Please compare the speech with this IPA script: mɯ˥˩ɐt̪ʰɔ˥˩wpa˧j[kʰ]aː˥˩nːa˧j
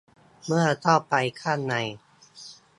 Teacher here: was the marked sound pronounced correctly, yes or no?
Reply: yes